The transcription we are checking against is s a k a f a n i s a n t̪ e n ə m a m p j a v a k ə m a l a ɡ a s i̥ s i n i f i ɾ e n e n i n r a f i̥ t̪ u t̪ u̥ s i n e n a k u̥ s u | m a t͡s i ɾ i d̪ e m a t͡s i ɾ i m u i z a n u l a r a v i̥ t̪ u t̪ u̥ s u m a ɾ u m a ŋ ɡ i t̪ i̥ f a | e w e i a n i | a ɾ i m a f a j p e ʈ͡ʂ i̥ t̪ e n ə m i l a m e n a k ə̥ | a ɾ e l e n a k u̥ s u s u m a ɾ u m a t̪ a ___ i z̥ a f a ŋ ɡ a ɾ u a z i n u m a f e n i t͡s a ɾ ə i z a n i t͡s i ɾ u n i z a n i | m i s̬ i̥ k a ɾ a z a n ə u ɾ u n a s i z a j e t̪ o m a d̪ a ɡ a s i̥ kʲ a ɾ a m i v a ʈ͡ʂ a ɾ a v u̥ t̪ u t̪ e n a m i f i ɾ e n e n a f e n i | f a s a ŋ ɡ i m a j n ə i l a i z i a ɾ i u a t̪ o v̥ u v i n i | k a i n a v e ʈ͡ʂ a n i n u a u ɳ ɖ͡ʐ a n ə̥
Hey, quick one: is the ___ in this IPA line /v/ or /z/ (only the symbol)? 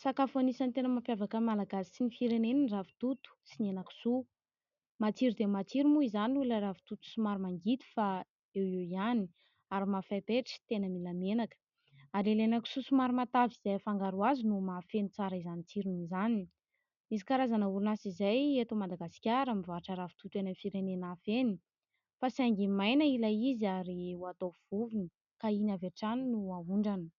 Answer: v